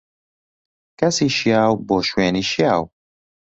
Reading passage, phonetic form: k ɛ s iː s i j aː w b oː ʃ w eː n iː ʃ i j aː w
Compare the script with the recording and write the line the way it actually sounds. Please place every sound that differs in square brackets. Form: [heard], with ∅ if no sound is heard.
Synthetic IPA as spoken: k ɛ s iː [ʃ] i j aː w b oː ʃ w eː n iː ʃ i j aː w